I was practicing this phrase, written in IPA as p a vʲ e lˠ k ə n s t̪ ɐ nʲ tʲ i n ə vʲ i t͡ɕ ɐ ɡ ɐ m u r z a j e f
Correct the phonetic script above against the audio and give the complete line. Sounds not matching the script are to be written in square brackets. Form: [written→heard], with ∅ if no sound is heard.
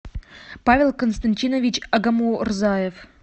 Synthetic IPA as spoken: p a vʲ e lˠ k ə n s t̪ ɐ nʲ tʲ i n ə vʲ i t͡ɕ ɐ ɡ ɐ m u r z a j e f